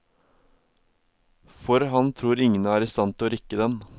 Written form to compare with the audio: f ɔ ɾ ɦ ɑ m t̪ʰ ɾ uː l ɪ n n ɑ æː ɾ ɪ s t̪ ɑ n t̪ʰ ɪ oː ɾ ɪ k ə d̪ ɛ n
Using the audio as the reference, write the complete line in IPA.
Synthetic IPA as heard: f ɔ ɾ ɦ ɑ n t̪ʰ ɾ uː ɾ ɪ ŋ n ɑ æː ɾ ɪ s t̪ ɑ n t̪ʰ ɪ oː ɾ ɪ k ə d̪ ɛ n